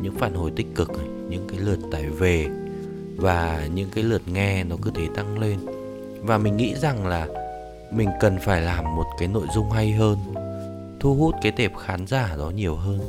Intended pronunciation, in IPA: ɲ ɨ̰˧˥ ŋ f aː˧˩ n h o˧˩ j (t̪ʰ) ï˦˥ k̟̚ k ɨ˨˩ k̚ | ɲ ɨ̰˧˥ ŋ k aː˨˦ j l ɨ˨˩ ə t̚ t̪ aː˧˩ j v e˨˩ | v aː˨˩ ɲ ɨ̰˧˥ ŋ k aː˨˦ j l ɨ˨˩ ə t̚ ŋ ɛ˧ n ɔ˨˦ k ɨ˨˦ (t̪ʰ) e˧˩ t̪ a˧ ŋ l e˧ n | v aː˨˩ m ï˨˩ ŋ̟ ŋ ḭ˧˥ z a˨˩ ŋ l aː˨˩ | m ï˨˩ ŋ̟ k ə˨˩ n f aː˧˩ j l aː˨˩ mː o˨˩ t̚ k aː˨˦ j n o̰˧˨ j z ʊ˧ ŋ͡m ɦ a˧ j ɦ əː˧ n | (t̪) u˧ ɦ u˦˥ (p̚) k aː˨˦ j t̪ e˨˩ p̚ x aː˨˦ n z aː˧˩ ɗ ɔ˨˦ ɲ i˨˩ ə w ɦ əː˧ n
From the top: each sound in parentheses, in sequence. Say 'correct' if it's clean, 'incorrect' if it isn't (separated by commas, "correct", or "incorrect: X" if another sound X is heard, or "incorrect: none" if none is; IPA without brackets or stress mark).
incorrect: t̪, correct, incorrect: t̪ʰ, incorrect: t̚